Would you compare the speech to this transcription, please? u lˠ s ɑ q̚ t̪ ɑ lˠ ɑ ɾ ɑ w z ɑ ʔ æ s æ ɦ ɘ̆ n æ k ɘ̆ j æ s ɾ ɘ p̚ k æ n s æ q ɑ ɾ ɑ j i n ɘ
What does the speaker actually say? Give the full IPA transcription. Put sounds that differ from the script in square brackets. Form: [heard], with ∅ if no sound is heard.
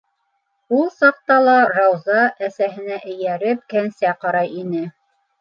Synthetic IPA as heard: u lˠ s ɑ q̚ t̪ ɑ lˠ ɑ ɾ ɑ w z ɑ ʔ æ s æ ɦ ɘ̆ n æ [ʔ] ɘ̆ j æ [∅] ɾ ɘ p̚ k æ n s æ q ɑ ɾ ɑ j i n ɘ